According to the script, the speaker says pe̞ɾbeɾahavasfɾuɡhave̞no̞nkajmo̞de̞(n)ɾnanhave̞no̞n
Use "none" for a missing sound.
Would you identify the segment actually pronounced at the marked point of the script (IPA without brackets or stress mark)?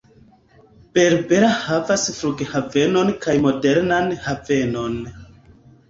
none